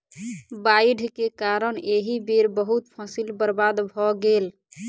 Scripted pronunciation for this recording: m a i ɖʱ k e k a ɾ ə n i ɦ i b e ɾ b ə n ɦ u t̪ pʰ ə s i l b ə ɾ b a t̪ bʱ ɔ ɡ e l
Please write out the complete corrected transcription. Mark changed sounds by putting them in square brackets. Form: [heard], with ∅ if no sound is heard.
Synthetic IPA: [b] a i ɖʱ k e k a ɾ ə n [e] ɦ i b e ɾ b ə [∅] ɦ u t̪ pʰ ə s i l b ə ɾ b a [d̪] bʱ ɔ ɡ e l